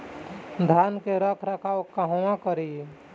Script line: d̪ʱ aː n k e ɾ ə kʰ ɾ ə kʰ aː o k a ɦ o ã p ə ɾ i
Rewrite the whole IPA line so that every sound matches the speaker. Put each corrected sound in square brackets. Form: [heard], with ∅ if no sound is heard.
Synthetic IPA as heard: d̪ʱ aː n k e ɾ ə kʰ ɾ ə kʰ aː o k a ɦ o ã [k] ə ɾ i